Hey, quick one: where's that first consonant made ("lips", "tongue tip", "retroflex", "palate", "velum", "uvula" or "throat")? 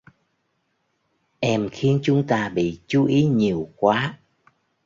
throat